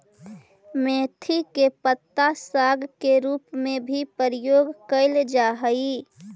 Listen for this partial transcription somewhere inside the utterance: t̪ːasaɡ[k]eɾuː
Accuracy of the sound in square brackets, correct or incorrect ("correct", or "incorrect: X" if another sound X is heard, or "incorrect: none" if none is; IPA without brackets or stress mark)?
correct